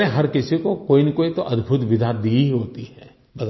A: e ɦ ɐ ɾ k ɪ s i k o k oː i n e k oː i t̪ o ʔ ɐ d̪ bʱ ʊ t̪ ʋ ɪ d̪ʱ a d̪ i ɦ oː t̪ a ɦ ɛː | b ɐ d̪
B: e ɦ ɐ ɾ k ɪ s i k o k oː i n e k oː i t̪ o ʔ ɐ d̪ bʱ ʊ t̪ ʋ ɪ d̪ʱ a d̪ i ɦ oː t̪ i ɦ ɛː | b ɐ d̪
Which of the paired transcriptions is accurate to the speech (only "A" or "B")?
B